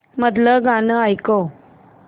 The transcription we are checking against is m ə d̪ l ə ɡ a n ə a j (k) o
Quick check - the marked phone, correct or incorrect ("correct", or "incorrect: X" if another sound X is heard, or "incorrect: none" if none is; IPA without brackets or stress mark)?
correct